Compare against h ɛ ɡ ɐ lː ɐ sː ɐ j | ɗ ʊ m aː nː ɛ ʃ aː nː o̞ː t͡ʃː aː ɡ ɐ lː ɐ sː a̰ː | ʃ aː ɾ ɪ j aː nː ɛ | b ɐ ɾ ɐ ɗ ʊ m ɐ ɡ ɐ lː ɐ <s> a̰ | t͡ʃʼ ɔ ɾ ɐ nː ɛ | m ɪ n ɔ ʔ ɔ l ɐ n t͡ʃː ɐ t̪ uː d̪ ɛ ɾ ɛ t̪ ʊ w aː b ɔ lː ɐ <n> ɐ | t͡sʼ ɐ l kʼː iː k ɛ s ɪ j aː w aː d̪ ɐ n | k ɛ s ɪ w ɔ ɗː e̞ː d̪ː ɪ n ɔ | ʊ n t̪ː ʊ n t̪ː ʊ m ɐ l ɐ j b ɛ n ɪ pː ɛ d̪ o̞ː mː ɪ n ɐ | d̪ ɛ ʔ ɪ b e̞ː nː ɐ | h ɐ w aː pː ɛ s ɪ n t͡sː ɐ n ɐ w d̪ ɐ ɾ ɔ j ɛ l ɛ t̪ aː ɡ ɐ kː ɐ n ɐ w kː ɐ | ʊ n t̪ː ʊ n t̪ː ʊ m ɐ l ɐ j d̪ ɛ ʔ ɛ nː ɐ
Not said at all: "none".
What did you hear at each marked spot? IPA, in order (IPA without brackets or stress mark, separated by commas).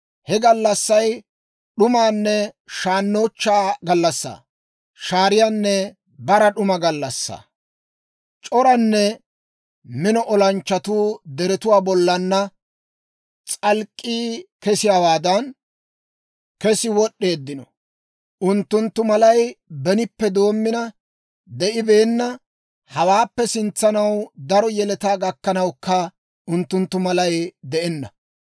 sː, nː